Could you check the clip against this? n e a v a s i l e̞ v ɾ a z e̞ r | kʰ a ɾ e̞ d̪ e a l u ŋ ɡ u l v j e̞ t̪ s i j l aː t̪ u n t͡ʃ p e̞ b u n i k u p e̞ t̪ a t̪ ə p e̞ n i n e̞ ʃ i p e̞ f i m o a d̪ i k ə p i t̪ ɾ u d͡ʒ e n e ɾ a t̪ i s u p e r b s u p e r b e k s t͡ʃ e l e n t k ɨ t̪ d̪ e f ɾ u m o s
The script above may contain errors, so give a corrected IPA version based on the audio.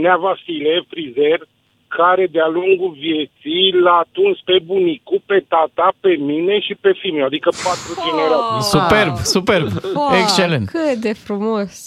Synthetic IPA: n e a v a s i l e̞ f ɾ i z e̞ r | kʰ a ɾ e̞ d̪ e a l u ŋ ɡ u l v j e̞ t̪ s i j l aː t̪ u n t͡ʃ p e̞ b u n i k u p e̞ t̪ a t̪ a p e̞ m i n e̞ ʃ i p e̞ f i m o a d̪ i k ə p a t̪ ɾ u d͡ʒ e n e ɾ a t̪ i s u p e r b s u p e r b e k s t͡ʃ e l e n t k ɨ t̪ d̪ e f ɾ u m o s